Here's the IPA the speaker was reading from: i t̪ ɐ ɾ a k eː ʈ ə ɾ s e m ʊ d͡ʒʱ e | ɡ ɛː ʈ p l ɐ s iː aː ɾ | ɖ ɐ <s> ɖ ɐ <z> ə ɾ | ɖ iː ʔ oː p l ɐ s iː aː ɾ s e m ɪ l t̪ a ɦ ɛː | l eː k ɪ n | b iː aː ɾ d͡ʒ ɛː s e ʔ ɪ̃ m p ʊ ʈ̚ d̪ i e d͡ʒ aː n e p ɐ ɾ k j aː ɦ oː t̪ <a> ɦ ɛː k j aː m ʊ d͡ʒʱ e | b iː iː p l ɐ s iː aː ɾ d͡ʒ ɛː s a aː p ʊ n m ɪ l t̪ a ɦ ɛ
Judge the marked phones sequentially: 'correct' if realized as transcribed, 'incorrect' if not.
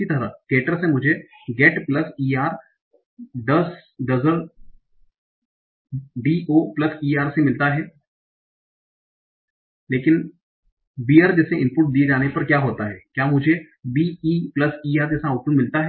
correct, correct, correct

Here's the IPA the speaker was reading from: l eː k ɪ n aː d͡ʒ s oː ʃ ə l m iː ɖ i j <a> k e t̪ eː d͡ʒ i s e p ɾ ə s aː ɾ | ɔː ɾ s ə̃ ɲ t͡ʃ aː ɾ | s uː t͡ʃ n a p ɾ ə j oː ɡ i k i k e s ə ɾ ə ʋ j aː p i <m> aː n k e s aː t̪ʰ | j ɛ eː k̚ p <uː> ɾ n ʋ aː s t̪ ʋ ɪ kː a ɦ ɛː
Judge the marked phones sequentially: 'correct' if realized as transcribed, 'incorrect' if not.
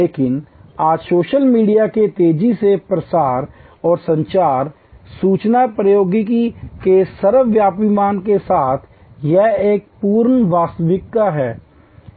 correct, correct, correct

